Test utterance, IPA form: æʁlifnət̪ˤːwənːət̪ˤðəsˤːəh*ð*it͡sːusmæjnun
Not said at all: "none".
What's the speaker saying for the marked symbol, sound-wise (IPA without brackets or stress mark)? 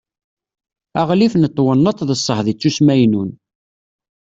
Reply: ð